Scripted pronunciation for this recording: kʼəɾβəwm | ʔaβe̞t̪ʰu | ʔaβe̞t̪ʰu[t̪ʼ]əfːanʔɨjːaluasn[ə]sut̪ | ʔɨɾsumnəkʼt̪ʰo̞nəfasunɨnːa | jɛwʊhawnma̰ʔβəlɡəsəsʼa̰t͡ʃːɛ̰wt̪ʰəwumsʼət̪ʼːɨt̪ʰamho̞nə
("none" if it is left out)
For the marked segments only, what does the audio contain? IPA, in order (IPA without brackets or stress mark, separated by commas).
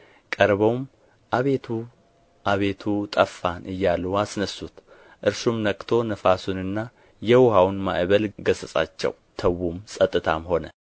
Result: t̪ʼ, ə